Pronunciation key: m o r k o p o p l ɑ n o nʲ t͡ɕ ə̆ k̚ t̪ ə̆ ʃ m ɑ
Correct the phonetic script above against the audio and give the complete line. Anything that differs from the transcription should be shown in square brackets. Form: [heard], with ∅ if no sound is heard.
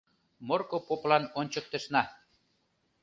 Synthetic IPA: m o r k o p o p l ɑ n o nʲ t͡ɕ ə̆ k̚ t̪ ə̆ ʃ [n] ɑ